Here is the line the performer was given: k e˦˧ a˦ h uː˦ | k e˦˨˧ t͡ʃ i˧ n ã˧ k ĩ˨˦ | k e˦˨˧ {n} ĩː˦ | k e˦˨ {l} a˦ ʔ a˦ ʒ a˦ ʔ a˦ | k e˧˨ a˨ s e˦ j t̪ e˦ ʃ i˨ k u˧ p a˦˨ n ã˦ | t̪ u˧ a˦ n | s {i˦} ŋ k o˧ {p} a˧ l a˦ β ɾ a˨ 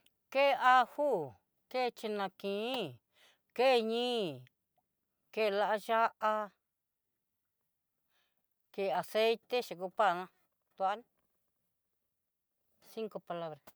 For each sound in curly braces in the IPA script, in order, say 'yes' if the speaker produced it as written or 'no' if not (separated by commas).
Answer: no, yes, yes, yes